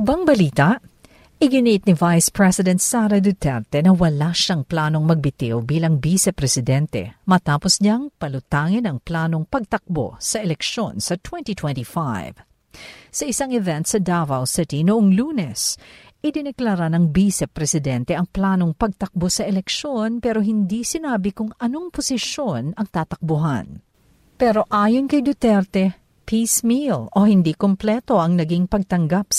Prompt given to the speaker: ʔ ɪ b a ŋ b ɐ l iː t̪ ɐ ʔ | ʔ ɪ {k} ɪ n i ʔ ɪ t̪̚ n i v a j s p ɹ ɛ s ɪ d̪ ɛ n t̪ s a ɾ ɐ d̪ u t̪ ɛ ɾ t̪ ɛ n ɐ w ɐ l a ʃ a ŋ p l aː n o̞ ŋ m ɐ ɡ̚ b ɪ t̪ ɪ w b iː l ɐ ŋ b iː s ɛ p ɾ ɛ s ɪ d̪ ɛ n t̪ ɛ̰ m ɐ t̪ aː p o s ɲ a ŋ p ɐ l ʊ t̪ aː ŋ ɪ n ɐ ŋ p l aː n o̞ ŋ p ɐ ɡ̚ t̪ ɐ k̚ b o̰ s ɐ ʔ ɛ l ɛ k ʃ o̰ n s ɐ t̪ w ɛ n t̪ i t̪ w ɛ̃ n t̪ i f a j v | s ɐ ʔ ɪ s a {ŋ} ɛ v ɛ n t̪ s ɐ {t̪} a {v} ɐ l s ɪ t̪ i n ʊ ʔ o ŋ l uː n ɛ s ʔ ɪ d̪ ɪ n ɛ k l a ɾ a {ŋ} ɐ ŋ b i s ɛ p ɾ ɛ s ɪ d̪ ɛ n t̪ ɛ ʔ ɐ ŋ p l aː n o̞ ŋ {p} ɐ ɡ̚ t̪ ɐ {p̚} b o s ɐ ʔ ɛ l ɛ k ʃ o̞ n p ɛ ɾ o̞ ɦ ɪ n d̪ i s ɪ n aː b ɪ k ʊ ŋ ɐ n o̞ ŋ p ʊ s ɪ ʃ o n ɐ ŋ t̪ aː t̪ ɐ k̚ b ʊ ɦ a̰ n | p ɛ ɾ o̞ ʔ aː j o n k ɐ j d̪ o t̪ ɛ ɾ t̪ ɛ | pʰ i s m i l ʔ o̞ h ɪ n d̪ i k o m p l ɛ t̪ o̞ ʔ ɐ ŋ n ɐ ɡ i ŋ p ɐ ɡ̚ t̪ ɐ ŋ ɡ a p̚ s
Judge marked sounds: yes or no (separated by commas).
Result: no, yes, no, yes, no, yes, no